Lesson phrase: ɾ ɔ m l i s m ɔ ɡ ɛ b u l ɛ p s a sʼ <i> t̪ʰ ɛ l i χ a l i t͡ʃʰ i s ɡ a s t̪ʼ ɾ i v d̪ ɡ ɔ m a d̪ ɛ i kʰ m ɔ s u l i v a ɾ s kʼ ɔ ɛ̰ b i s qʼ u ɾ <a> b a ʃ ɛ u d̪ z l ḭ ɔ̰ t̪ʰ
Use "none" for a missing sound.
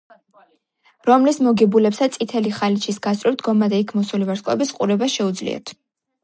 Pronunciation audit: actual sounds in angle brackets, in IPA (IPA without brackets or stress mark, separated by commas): i, ɛ